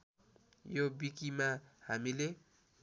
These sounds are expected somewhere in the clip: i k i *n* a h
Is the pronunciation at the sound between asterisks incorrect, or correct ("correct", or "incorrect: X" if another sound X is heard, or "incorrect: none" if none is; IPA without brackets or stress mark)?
incorrect: m